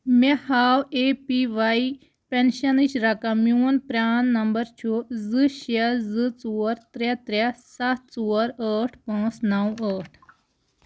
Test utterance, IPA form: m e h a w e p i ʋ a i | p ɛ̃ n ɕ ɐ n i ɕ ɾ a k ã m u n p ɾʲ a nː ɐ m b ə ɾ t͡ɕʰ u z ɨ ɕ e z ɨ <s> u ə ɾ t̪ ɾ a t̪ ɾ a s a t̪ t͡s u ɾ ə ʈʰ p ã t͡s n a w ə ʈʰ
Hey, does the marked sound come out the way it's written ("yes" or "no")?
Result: no